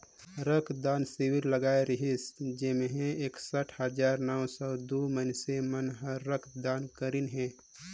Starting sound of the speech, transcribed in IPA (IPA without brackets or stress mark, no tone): ɾ